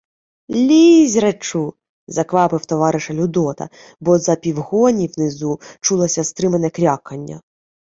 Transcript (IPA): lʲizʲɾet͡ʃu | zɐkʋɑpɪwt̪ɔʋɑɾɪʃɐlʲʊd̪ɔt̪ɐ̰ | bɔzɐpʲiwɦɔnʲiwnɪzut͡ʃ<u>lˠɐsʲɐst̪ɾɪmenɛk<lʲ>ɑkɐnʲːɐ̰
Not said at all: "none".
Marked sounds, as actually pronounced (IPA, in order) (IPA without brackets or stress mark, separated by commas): u, ɾʲ